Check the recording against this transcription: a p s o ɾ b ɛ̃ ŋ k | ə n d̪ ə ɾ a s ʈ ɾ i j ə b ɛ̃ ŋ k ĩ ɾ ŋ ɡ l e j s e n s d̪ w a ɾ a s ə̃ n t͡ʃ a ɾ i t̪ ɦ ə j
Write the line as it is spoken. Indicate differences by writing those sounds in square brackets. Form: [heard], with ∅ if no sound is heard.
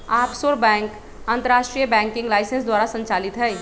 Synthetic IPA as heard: a p s o ɾ b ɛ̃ ŋ k | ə n [t̪] ə ɾ a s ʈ ɾ i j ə b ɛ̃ ŋ k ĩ [∅] ŋ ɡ l [a] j s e n s d̪ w a ɾ a s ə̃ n t͡ʃ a [l] i t̪ ɦ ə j